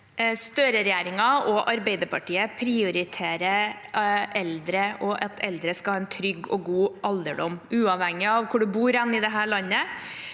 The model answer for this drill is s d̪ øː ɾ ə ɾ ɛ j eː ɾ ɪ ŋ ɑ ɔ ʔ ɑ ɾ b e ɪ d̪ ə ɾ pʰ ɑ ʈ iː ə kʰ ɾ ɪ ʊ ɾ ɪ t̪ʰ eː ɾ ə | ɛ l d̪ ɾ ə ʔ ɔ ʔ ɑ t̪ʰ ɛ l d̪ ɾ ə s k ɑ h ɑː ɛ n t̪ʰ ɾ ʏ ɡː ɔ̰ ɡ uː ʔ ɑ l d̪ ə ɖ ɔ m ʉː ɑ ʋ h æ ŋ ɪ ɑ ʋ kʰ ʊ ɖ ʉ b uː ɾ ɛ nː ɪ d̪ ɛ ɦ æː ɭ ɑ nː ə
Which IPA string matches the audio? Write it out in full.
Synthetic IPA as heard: s t̪ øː ɾ ə ɾ ɛ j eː ɾ ɪ ŋ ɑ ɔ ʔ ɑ ɾ b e ɪ d̪ ə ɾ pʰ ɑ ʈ iː ə pʰ ɾ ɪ ʊ ɾ ɪ t̪ʰ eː ɾ ə | ɛ l d̪ ɾ ə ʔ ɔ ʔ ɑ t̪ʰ ɛ l d̪ ɾ ə s k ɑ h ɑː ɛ n t̪ʰ ɾ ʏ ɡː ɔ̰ ɡ uː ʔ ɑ l d̪ ə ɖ ɔ m ʉː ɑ ʋ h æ ŋ ɪ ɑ ʋ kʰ ʊ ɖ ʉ b uː ɾ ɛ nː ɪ d̪ ɛ ɦ æː ɭ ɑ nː ə